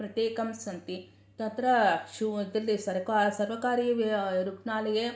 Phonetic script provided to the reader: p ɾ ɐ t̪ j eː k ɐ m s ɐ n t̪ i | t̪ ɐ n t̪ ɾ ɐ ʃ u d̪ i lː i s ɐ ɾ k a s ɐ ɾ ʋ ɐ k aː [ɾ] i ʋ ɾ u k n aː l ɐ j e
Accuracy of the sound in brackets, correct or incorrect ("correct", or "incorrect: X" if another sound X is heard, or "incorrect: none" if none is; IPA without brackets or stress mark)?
correct